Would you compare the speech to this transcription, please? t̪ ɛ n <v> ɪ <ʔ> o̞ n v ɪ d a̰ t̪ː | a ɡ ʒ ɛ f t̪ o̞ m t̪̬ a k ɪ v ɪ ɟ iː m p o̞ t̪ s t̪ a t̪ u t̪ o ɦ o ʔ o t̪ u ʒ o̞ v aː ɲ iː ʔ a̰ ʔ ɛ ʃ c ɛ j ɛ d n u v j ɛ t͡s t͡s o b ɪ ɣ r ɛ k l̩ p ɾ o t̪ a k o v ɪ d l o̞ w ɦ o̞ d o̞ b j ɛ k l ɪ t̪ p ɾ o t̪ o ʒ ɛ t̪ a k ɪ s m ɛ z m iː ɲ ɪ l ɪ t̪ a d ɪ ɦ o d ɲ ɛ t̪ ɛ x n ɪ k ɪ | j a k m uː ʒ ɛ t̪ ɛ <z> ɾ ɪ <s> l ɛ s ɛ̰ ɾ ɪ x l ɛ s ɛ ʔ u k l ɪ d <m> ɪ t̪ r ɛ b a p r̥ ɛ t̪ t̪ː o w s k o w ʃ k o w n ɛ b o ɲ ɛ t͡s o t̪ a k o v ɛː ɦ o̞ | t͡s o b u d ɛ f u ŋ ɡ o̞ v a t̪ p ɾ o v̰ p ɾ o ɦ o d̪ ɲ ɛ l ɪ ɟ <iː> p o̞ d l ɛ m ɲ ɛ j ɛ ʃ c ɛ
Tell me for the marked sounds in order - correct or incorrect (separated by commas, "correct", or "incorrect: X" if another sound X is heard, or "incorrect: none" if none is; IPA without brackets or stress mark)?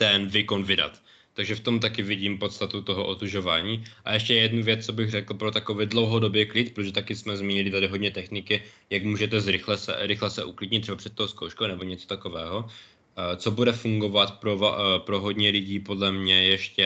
correct, incorrect: k, correct, incorrect: x, incorrect: ɲ, correct